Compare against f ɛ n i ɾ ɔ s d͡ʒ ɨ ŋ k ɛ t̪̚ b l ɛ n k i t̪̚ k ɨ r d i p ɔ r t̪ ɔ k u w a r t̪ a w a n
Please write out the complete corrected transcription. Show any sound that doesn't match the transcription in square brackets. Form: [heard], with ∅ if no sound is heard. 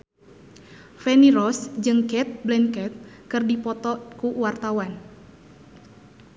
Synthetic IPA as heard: f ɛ n i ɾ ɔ s d͡ʒ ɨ ŋ k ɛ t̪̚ b l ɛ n k [ɛ] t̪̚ k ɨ r d i p ɔ [∅] t̪ ɔ k u w a r t̪ a w a n